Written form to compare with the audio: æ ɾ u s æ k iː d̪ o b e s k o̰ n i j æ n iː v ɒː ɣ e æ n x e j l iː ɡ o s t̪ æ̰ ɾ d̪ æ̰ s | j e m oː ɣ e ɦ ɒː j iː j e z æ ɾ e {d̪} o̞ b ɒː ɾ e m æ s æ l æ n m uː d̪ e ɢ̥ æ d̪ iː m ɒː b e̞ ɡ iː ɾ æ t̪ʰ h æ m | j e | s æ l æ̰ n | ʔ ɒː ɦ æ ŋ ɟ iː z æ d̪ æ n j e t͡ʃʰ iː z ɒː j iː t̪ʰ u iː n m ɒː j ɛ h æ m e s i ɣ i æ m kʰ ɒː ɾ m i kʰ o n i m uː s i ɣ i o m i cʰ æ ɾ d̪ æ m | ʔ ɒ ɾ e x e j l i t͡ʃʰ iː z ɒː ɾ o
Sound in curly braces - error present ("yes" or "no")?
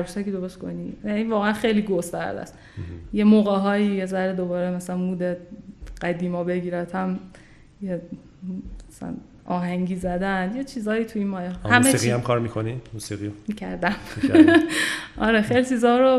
no